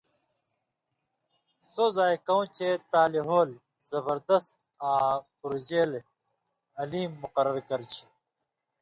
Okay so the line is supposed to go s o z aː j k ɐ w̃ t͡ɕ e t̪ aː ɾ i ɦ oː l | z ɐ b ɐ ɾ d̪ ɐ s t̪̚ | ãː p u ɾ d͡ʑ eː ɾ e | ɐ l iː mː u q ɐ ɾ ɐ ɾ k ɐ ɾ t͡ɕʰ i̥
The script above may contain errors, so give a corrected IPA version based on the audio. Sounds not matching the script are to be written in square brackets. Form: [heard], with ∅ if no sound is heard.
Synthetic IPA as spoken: s o z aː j k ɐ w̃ t͡ɕ e t̪ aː [l] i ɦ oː l | z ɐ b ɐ ɾ d̪ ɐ s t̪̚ | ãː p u ɾ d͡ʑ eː [l] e | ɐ l iː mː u q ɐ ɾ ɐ ɾ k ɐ ɾ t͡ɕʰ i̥